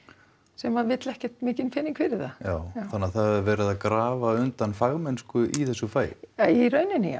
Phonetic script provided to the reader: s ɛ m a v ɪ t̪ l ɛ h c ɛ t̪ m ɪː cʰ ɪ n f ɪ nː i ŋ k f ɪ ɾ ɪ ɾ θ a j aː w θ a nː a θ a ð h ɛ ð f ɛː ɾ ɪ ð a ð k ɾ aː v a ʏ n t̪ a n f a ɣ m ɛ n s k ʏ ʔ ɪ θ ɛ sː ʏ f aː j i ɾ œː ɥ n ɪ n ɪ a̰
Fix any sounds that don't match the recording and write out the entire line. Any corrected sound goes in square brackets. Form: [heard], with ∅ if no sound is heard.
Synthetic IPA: s ɛ m a v ɪ t̪ l ɛ h c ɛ t̪ m ɪː [c] ɪ n f ɪ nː i ŋ k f ɪ ɾ ɪ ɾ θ a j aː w θ a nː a θ a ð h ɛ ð [v] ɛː ɾ ɪ ð a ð k ɾ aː v a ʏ n t̪ a n f a ɣ m ɛ n s k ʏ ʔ [i] θ ɛ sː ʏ f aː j i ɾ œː ɥ n ɪ n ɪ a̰